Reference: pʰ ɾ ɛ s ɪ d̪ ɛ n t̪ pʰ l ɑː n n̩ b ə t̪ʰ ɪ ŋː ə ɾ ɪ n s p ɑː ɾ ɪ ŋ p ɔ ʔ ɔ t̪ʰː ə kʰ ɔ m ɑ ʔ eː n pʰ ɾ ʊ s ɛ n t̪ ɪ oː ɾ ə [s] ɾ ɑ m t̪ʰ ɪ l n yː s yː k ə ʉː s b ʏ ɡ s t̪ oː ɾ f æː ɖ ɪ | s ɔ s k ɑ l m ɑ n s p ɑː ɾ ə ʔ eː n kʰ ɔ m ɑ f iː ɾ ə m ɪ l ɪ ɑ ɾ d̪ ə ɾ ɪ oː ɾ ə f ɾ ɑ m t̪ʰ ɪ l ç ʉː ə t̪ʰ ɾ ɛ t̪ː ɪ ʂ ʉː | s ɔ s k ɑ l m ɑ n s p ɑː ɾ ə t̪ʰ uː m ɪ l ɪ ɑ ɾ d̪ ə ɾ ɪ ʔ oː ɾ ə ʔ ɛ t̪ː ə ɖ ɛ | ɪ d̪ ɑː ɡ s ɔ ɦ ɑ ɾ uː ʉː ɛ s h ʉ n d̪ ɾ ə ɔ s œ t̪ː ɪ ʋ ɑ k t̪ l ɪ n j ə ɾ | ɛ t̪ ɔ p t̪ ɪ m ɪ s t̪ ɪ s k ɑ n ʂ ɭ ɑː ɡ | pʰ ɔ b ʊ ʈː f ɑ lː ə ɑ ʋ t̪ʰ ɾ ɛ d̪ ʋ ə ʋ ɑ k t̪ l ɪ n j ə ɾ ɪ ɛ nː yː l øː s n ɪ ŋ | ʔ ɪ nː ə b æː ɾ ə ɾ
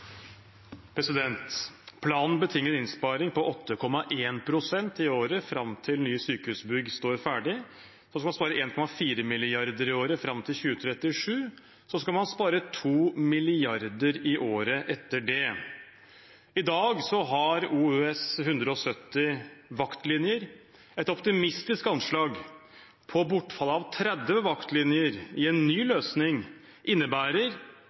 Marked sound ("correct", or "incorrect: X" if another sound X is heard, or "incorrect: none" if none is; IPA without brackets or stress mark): incorrect: f